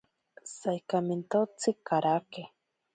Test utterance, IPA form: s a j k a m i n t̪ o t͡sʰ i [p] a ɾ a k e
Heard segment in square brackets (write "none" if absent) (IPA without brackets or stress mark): k